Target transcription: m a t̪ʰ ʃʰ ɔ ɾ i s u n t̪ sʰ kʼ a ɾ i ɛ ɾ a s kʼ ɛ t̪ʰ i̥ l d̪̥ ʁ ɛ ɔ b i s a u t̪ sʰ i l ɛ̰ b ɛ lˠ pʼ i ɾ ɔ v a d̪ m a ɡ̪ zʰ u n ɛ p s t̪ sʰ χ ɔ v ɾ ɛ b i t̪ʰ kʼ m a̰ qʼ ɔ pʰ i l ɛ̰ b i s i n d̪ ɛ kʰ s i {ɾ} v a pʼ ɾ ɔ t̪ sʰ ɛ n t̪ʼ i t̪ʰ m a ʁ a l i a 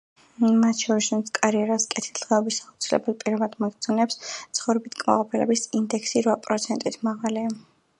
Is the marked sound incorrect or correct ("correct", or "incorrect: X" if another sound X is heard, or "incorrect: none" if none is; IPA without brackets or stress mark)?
correct